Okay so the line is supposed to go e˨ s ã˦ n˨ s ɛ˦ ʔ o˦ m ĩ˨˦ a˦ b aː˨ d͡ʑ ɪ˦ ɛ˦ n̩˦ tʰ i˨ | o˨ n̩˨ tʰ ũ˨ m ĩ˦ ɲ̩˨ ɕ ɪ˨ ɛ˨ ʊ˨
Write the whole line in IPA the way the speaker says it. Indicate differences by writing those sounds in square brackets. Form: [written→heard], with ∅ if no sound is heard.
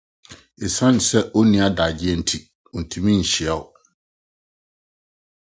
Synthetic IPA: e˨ s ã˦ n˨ s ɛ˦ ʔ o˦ [m→n] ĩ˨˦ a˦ [b→d] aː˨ d͡ʑ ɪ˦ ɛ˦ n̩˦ tʰ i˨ | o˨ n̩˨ tʰ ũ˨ m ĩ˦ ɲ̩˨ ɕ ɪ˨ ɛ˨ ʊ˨

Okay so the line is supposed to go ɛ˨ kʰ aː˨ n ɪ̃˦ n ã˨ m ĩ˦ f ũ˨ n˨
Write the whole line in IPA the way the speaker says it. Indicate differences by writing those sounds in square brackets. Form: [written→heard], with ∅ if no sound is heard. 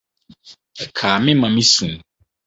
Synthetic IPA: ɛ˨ kʰ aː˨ [n→m] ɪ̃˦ [n→m] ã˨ m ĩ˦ [f→s] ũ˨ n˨

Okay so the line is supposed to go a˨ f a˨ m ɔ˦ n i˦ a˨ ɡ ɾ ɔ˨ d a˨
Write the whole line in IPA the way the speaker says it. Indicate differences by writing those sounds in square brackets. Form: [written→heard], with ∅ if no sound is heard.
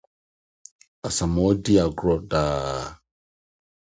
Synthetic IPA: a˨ [f→s] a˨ m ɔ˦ [n→d] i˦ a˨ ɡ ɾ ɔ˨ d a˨

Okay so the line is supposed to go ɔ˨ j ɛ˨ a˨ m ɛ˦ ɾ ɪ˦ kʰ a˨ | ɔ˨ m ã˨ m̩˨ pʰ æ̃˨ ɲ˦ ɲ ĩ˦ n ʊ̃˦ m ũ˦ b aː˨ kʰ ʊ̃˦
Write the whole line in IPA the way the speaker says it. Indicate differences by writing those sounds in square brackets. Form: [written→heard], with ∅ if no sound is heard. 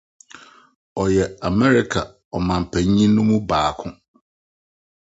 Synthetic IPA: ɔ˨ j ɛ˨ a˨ m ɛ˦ ɾ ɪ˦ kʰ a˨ | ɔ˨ m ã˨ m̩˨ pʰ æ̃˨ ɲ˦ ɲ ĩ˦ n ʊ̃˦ m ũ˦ b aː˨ kʰ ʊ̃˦

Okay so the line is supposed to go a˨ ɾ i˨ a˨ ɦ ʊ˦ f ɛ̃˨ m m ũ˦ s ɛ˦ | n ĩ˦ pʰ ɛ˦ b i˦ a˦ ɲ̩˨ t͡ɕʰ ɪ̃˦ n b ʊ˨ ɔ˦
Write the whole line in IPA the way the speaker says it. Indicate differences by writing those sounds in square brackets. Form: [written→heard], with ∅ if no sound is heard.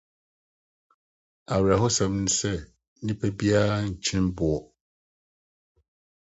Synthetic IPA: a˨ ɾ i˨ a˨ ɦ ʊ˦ [f→s] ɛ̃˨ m [m→n] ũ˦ s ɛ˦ | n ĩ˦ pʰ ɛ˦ b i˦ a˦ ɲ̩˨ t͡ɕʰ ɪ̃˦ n b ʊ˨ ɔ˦

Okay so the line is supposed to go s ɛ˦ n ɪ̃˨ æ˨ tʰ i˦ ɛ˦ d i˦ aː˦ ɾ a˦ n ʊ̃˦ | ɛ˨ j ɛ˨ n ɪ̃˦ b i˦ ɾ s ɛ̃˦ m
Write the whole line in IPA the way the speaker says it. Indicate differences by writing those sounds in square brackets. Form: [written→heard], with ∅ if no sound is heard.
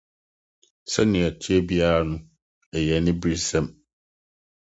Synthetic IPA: s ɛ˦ n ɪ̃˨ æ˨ tʰ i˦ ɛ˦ [d→b] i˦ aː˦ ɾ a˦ n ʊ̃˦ | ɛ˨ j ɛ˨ n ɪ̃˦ b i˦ ɾ s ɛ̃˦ m

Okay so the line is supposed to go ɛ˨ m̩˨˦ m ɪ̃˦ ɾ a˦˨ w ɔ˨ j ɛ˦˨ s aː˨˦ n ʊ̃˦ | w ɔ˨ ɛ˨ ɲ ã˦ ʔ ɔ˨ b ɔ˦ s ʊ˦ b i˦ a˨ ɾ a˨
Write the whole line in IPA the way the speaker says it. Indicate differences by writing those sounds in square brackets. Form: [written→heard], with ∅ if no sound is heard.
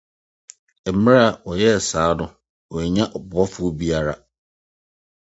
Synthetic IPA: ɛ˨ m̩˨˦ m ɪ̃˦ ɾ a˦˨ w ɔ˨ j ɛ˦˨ s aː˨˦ n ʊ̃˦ | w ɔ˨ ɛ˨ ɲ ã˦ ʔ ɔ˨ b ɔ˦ [s→f] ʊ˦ b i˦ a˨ ɾ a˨

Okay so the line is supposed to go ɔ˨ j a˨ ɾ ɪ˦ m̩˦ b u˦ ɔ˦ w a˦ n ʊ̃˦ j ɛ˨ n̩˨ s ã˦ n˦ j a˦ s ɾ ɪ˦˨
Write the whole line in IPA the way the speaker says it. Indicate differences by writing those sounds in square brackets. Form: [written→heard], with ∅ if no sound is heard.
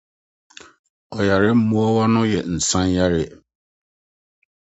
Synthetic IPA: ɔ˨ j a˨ ɾ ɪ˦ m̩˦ [b→m] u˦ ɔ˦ w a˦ n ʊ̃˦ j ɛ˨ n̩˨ s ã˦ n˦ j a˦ [s→∅] ɾ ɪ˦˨

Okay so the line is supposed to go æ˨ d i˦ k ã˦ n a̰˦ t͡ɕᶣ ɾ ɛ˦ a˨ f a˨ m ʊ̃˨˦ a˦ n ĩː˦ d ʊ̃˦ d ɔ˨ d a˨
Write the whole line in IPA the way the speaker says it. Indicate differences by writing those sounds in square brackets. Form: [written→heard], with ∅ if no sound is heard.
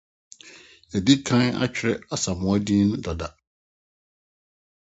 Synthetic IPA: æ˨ d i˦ [k→kʰ] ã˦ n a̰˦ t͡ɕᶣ ɾ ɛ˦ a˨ [f→s] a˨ m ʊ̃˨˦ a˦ [n→d] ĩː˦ [d→n] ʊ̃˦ d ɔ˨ d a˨

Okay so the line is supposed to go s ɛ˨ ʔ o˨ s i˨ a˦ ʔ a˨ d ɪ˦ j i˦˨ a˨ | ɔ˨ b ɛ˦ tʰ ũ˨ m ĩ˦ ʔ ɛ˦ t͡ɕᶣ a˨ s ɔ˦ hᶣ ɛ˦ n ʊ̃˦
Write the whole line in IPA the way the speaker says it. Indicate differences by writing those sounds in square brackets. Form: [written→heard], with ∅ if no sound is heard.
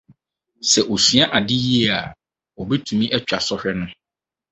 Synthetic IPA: s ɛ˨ ʔ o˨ s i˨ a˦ ʔ a˨ d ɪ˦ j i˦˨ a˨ | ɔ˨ b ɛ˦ tʰ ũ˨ m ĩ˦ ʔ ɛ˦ t͡ɕᶣ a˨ s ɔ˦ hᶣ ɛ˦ n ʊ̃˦

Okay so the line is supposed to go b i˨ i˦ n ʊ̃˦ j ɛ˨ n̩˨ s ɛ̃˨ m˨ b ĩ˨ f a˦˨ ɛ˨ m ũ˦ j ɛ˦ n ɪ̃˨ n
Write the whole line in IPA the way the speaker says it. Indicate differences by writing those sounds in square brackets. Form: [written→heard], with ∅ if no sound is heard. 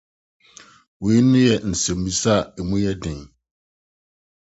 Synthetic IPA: [b→w] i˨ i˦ n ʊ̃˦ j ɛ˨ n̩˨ s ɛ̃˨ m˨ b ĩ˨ [f→s] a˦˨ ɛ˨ m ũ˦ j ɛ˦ [n→d] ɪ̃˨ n

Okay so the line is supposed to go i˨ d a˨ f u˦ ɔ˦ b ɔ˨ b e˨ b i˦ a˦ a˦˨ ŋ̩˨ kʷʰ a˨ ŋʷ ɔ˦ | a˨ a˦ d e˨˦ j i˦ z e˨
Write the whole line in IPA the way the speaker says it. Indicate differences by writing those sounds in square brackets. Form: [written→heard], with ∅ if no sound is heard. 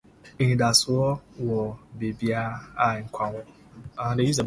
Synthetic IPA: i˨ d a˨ [f→s] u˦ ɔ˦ [b→w] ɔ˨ b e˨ b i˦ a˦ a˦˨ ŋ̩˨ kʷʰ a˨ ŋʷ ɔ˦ | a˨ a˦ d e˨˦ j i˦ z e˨

